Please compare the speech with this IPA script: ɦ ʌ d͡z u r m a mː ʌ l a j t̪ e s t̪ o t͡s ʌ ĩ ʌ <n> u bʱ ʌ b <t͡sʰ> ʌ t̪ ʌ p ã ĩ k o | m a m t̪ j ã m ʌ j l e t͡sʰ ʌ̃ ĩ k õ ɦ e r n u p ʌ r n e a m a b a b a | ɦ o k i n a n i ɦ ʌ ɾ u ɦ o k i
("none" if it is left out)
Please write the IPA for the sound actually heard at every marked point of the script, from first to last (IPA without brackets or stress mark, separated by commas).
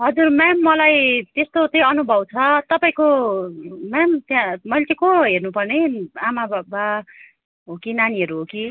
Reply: n, t͡sʰ